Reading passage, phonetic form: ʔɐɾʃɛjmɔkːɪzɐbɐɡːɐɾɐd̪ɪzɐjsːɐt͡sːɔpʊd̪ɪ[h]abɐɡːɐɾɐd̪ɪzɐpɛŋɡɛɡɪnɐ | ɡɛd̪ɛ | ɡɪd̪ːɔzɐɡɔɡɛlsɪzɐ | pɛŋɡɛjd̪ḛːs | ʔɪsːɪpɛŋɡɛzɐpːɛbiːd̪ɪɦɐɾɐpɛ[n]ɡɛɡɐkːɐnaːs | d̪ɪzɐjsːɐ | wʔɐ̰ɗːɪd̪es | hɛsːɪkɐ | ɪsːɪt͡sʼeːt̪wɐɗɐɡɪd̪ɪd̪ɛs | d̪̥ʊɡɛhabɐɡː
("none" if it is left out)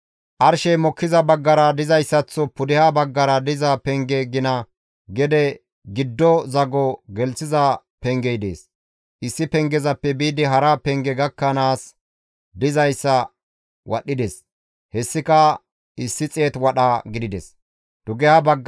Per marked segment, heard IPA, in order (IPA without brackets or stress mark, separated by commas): h, ŋ